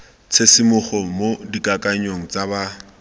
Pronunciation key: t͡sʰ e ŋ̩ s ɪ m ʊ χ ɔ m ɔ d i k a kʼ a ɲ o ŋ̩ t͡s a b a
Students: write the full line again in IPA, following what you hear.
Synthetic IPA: t͡sʰ e s ɪ m ʊ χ ɔ m o d i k a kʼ a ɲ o ŋ̩ t͡s a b a